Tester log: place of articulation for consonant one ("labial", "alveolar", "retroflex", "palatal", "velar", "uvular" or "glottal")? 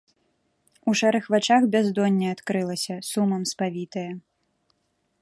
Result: retroflex